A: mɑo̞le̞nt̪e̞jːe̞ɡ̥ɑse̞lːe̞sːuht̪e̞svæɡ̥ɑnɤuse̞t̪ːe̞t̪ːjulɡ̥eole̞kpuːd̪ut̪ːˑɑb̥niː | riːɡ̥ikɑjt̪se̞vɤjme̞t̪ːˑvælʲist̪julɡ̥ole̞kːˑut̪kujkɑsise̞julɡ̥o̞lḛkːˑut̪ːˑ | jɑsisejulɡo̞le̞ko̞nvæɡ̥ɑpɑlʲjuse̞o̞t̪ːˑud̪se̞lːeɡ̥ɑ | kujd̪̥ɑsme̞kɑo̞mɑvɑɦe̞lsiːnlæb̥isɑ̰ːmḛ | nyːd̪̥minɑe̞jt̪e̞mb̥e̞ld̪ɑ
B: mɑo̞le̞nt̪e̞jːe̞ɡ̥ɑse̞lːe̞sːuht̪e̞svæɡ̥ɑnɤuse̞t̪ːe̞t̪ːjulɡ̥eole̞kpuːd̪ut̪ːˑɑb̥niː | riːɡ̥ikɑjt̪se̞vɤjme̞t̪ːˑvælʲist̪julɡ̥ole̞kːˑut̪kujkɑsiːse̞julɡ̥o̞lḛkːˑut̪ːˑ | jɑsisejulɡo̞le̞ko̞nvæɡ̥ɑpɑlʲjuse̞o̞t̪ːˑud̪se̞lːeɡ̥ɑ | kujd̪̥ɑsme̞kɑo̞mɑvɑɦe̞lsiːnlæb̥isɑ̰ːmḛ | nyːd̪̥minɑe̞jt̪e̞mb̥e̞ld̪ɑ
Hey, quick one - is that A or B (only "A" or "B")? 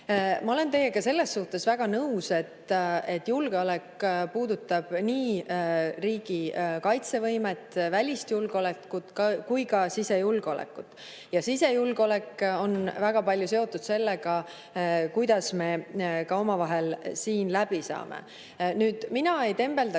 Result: A